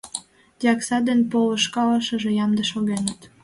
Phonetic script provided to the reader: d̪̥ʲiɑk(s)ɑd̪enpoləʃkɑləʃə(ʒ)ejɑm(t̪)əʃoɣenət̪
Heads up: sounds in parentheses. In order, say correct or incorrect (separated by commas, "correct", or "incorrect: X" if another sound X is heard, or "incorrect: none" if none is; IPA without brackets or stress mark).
correct, correct, incorrect: d̪